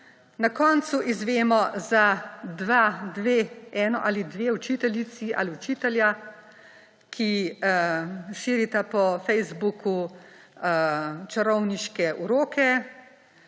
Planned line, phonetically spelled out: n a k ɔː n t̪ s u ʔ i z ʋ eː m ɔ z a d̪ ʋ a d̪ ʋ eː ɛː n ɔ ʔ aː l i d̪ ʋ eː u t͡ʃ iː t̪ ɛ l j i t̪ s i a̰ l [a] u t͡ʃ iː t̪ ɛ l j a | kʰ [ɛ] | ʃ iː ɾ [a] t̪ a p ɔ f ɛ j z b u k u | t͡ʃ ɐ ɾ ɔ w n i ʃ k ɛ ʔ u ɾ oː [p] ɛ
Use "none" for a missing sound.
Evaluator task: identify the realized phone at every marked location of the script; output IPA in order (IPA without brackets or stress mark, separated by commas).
i, i, i, k